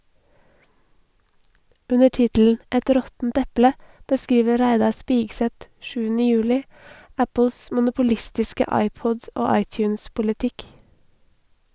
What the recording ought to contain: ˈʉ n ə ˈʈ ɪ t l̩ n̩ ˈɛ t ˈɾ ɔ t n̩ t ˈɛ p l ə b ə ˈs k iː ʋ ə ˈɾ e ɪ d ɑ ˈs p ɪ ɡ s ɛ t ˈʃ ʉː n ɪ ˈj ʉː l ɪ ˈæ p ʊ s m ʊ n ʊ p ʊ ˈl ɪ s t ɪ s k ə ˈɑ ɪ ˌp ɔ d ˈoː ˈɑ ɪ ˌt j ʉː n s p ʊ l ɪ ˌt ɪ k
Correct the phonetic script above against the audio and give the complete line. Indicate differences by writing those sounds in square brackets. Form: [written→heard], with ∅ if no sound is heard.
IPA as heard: ˈʉ n ə ˈʈ ɪ t l̩ n̩ ˈɛ t ˈɾ ɔ t n̩ t ˈɛ p l ə b ə ˈs k iː ʋ ə ˈɾ [e→æ] ɪ d ɑ ˈs p ɪ ɡ s ɛ t ˈʃ ʉː n ɪ ˈj ʉː l ɪ ˈæ p ʊ s m ʊ n ʊ p ʊ ˈl ɪ s t ɪ s k ə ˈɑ ɪ ˌp ɔ d ˈoː ˈɑ ɪ ˌt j ʉː n s p ʊ l ɪ ˌt ɪ k